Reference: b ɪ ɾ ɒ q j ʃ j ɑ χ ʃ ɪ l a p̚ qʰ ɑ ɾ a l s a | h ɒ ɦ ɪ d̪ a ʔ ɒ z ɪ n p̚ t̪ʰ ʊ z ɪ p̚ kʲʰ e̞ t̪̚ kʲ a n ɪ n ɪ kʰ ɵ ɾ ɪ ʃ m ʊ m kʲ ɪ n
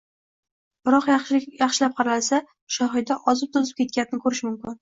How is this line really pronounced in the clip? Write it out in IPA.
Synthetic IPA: b ɪ ɾ ɒ q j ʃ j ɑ χ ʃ ɪ l a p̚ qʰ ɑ ɾ a l s a | ʃ ɒ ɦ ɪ d̪ a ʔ ɒ z ɪ p̚ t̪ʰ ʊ z ɪ p̚ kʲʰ e̞ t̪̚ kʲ a n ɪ n ɪ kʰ ɵ ɾ ɪ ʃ m ʊ m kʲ ɪ n